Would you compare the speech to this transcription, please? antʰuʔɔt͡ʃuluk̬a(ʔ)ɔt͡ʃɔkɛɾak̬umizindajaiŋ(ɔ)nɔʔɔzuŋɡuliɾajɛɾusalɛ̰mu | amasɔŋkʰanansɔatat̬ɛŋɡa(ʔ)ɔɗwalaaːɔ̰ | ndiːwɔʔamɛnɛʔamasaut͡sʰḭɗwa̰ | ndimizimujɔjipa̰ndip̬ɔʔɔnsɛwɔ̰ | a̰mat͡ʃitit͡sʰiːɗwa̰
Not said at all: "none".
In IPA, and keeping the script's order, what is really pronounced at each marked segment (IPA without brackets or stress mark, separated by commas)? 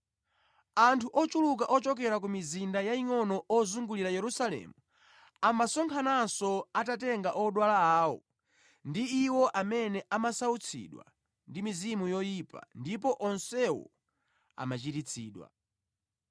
ʔ, ɔ, ʔ